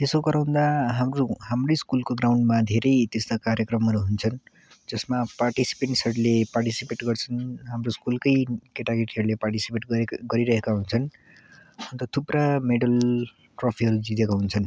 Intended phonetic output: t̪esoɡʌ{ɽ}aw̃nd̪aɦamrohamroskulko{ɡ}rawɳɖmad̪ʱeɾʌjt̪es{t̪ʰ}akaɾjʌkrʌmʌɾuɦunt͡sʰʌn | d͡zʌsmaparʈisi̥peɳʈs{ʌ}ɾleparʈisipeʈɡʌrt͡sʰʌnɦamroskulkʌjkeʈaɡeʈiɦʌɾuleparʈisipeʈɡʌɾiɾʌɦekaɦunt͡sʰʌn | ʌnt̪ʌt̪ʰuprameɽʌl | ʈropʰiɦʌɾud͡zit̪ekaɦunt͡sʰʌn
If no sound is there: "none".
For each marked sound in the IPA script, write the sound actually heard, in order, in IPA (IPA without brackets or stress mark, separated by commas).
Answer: ɾ, ɡ, t̪, ʌ